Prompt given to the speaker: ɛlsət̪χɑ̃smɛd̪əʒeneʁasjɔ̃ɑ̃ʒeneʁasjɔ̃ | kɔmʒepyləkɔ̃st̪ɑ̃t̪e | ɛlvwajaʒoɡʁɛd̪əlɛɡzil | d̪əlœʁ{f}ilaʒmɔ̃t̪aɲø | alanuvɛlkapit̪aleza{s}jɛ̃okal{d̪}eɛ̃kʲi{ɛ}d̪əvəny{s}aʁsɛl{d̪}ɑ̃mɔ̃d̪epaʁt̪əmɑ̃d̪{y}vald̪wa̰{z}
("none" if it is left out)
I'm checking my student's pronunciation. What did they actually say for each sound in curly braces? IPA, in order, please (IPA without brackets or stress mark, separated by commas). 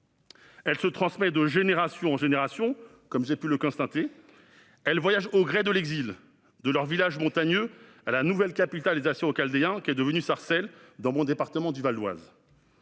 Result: v, s, d̪, ɛ, s, d̪, y, z